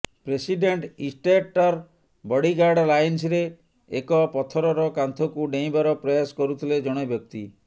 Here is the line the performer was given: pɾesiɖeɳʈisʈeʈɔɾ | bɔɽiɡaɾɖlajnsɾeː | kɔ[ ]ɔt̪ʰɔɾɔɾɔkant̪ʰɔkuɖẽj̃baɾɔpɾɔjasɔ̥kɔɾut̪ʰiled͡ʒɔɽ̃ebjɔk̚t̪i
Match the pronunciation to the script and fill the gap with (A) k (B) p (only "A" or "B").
B